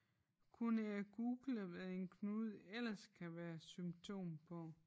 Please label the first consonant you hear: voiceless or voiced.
voiceless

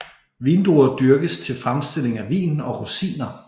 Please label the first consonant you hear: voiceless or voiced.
voiced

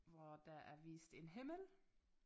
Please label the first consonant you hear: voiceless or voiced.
voiced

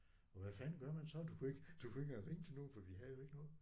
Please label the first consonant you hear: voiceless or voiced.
voiced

